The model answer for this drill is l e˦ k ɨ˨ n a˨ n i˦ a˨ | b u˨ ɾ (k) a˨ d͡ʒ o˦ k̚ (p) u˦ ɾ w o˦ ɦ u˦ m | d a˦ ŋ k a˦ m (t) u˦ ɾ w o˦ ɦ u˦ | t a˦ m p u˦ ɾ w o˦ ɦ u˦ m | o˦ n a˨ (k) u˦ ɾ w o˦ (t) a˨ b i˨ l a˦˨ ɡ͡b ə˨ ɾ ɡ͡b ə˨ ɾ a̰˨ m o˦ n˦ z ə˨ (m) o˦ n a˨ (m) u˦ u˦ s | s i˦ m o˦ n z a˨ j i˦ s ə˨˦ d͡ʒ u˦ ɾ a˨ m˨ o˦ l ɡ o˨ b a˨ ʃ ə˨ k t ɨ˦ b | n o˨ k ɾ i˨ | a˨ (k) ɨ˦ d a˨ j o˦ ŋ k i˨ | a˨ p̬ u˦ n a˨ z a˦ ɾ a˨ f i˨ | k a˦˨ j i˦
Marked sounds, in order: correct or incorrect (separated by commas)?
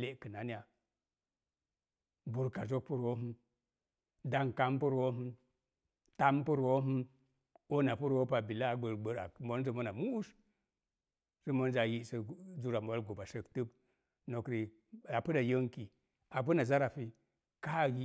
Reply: correct, correct, incorrect, incorrect, incorrect, correct, correct, incorrect